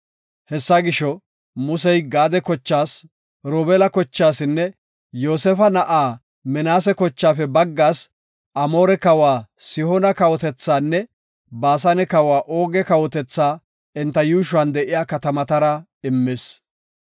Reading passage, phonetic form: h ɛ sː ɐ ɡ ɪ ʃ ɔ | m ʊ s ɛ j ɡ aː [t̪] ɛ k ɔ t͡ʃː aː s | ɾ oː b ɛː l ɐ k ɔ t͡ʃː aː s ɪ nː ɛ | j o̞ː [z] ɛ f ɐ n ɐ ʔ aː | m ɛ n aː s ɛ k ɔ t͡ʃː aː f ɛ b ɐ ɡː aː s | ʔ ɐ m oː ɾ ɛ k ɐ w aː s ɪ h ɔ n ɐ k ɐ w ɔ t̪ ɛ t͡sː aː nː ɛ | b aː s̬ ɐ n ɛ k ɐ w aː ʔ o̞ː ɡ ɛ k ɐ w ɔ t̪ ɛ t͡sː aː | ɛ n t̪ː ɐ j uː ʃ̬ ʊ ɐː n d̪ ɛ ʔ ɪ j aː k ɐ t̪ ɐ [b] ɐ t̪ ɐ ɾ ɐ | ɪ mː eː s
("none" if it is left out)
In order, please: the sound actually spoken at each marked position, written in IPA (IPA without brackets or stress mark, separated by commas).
d̪, s, m